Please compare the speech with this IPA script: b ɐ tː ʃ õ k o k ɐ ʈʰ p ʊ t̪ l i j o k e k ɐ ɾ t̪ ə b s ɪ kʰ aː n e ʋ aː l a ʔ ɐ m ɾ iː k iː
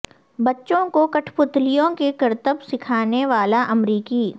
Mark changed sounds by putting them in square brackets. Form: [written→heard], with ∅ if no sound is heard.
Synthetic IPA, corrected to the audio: b ɐ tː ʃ õ k o k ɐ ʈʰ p ʊ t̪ l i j [o→õ] k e k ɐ ɾ t̪ ə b s ɪ kʰ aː n e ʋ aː l a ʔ ɐ m ɾ iː k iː